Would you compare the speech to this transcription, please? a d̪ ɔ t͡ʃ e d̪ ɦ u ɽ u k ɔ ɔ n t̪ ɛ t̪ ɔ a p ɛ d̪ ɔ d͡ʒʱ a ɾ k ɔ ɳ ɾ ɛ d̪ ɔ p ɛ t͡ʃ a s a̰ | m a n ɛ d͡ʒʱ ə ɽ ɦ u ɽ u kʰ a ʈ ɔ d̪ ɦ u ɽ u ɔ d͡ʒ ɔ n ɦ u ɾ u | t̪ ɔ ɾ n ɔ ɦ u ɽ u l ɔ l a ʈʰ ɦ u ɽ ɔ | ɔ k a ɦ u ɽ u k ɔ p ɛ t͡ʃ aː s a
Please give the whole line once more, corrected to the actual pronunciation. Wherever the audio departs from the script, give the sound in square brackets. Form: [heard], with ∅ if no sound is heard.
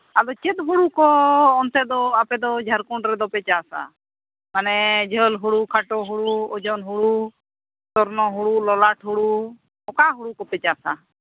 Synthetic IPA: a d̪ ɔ t͡ʃ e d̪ ɦ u ɽ u k ɔ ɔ n t̪ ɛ [d̪] ɔ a p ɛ d̪ ɔ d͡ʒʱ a ɾ k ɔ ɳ ɾ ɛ d̪ ɔ p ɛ t͡ʃ a s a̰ | m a n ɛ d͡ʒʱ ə [l] ɦ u ɽ u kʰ a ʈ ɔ [∅] ɦ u ɽ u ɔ d͡ʒ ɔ n ɦ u [ɽ] u | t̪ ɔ ɾ n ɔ ɦ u ɽ u l ɔ l a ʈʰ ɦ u ɽ [u] | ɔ k a ɦ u ɽ u k ɔ p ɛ t͡ʃ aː s a